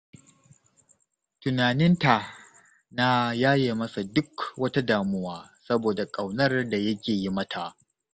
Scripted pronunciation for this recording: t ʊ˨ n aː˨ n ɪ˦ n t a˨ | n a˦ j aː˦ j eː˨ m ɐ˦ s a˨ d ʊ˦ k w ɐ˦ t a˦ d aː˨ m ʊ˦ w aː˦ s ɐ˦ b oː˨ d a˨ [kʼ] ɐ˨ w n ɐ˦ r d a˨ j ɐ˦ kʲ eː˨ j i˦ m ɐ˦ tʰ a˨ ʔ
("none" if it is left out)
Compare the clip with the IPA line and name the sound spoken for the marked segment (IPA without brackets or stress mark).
kʼ